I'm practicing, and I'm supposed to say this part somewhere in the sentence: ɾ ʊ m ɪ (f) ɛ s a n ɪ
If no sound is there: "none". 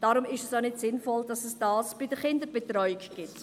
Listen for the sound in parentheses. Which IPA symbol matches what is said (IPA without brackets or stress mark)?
ʃ